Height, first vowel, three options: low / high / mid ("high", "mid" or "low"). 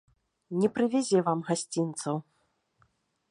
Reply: mid